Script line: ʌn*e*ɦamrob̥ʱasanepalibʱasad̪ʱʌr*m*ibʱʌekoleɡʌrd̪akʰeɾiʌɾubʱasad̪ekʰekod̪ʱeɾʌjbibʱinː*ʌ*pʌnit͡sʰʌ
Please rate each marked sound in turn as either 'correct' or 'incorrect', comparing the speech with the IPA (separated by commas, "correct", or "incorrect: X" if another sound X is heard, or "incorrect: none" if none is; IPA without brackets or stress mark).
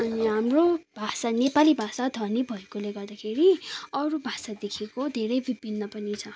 incorrect: i, incorrect: n, correct